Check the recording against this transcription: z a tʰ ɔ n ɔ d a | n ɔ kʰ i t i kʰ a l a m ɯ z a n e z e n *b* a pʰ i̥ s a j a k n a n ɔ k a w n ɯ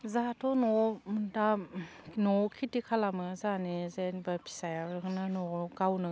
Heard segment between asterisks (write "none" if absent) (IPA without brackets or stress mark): b